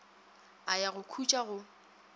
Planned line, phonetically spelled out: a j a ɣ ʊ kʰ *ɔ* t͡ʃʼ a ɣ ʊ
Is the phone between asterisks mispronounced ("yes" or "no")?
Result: yes